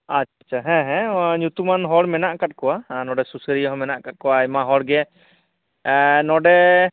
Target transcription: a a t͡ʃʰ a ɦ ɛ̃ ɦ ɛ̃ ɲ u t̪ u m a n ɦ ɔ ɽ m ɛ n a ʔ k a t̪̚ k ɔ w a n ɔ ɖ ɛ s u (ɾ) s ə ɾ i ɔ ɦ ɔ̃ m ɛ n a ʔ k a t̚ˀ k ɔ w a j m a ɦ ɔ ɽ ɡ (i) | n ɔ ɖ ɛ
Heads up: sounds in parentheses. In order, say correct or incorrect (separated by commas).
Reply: incorrect, incorrect